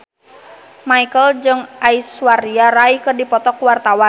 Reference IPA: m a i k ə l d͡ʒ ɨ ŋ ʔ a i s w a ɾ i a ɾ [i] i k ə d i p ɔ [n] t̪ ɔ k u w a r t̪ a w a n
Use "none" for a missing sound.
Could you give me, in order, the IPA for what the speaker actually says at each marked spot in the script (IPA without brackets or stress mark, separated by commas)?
a, none